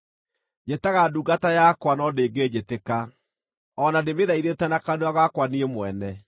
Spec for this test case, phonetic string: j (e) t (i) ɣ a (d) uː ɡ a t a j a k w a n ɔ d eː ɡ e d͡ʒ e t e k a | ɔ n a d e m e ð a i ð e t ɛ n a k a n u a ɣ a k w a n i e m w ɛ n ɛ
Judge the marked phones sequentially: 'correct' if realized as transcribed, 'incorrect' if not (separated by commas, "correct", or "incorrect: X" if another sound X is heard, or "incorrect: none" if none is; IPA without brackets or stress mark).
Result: correct, incorrect: a, correct